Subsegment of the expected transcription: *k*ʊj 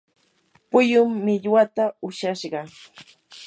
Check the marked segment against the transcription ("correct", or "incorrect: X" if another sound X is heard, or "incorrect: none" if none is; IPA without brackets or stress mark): incorrect: p